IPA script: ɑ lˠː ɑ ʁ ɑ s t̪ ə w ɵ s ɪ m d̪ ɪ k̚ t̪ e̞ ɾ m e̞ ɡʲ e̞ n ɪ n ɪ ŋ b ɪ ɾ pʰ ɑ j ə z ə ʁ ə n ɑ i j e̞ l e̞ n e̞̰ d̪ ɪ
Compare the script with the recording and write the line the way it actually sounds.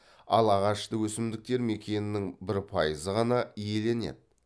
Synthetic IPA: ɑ lˠ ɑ ʁ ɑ ʃ t̪ ə w ɵ s ɪ m d̪ ɪ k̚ t̪ e̞ ɾ m e̞ kʲ e̞ n ɪ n ɪ ŋ b ɪ ɾ pʰ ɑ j ə z ə ʁ ɑ n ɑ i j e̞ l e̞ n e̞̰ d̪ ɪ